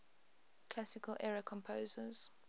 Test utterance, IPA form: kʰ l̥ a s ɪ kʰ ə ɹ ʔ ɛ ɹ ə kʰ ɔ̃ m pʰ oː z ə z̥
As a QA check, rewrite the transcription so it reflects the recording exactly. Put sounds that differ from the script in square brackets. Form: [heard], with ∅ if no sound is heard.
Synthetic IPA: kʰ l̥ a s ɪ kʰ ə [l] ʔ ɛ ɹ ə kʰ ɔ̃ m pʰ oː z ə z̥